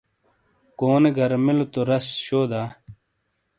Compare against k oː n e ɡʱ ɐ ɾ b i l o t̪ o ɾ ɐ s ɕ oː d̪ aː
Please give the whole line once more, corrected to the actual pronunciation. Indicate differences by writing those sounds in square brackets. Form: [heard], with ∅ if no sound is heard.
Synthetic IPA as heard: k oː n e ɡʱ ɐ ɾ [m] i l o t̪ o ɾ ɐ s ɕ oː d̪ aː